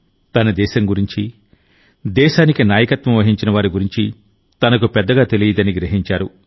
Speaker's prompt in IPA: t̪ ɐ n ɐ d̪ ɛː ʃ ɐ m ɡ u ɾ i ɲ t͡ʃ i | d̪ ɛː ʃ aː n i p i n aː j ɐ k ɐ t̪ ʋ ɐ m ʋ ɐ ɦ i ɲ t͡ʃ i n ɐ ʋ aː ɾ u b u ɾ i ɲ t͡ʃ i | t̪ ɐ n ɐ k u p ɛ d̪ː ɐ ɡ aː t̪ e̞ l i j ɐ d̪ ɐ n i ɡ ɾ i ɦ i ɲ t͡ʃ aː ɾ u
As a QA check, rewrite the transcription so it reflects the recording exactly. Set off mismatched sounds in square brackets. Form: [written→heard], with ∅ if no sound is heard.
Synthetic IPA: t̪ ɐ n ɐ d̪ ɛː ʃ ɐ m ɡ u ɾ i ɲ t͡ʃ i | d̪ ɛː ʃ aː n i [p→k] i n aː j ɐ k ɐ t̪ ʋ ɐ m ʋ ɐ ɦ i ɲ t͡ʃ i n ɐ ʋ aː ɾ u [b→ɡ] u ɾ i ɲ t͡ʃ i | t̪ ɐ n ɐ k u p ɛ d̪ː ɐ ɡ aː t̪ e̞ l i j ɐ d̪ ɐ n i ɡ ɾ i ɦ i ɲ t͡ʃ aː ɾ u